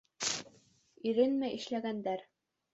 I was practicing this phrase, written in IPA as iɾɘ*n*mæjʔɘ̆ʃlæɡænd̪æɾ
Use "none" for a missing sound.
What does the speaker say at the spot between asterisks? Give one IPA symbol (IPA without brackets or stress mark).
n